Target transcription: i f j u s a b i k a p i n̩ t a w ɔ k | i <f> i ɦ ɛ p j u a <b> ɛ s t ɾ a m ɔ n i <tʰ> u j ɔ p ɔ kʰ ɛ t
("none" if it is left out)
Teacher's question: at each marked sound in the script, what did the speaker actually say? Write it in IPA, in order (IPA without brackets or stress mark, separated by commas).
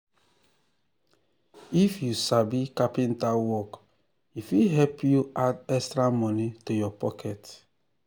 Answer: f, d, t